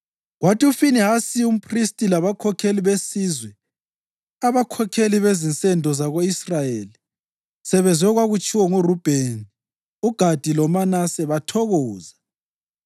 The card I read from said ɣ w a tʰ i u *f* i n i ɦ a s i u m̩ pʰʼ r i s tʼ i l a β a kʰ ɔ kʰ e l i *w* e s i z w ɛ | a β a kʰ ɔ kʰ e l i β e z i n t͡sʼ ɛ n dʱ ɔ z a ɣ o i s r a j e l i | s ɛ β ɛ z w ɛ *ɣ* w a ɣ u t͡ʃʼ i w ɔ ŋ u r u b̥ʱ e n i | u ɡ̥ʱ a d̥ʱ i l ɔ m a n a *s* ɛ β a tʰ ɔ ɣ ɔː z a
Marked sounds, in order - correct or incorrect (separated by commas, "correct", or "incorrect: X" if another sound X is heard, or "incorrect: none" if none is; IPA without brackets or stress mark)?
correct, incorrect: β, correct, correct